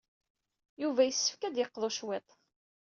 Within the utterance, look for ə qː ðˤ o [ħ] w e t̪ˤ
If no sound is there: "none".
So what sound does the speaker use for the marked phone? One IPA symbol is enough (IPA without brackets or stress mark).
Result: ʃ